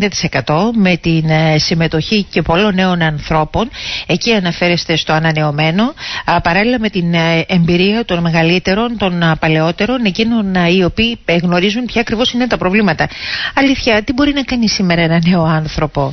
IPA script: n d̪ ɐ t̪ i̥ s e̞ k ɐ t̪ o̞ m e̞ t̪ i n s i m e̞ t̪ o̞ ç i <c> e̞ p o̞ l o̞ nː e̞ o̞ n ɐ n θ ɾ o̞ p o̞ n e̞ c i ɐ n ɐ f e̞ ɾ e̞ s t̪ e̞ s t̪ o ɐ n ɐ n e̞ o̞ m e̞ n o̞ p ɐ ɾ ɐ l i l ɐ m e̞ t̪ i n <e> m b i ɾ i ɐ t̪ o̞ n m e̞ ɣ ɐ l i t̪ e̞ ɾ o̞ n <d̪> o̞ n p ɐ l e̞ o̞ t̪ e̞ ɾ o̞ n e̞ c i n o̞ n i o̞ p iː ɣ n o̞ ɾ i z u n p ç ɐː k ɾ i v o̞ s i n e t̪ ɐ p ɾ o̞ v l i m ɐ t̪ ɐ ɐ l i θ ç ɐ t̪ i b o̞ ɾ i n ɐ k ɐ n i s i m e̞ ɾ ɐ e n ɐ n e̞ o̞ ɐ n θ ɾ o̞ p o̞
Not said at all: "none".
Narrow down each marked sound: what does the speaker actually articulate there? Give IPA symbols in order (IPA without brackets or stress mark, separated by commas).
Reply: c, e, t̪